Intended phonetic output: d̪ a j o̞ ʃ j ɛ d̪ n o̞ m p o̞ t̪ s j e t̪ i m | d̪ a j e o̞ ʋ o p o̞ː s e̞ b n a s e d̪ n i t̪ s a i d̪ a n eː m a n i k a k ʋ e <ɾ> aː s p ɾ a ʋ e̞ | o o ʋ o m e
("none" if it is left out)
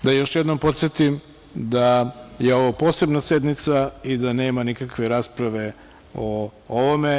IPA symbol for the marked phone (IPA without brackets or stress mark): ɾ